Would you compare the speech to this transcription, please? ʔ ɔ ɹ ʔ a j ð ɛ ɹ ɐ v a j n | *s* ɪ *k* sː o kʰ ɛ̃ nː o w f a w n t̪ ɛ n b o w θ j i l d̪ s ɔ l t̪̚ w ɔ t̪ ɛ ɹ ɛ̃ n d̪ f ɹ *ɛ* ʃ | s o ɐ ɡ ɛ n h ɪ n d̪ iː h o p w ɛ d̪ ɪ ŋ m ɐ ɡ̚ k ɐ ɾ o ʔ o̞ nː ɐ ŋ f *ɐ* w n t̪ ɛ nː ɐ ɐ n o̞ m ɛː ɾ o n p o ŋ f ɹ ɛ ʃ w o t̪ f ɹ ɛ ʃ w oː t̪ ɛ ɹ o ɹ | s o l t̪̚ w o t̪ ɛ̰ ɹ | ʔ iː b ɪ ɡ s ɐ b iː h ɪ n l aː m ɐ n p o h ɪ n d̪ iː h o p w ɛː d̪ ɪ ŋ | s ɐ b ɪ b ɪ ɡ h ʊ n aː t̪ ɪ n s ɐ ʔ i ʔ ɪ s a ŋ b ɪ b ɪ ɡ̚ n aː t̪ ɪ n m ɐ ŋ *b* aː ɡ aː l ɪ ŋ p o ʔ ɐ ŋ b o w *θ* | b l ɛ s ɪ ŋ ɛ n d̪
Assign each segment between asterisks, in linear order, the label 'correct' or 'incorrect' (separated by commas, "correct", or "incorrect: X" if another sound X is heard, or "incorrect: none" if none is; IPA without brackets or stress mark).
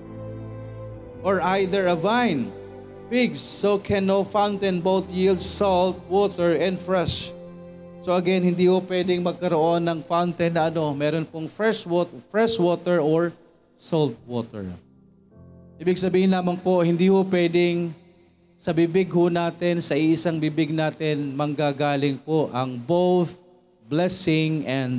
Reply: incorrect: f, incorrect: ɡ, correct, incorrect: a, incorrect: ɡ, correct